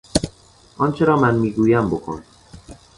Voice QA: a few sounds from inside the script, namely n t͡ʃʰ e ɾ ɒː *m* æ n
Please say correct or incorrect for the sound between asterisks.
correct